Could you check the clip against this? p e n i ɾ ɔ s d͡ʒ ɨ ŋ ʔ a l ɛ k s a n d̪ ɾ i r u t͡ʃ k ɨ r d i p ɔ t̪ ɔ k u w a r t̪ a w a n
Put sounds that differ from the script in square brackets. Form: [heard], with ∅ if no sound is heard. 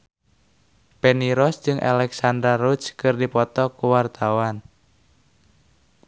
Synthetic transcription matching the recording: p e n i ɾ ɔ s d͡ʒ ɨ ŋ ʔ a l ɛ k s a n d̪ ɾ [a] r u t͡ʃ k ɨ r d i p ɔ t̪ ɔ k u w a r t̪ a w a n